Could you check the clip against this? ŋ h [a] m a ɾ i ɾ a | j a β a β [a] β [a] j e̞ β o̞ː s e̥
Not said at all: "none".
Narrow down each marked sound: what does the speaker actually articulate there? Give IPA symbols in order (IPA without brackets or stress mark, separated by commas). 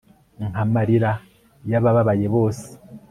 a, a, a